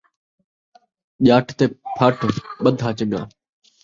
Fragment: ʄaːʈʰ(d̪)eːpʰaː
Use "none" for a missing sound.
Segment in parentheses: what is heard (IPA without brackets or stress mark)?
t̪